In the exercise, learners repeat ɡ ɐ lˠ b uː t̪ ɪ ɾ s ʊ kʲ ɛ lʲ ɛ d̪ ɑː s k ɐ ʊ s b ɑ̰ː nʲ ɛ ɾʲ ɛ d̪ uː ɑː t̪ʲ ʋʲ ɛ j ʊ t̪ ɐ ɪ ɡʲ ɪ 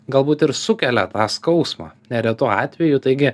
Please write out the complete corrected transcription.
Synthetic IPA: ɡ ɐ lˠ b uː t̪ ɪ ɾ s ʊ kʲ ɛ lʲ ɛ t̪ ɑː s k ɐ ʊ s m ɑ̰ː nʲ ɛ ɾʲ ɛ t̪ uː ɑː t̪ʲ ʋʲ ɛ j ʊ t̪ ɐ ɪ ɡʲ ɪ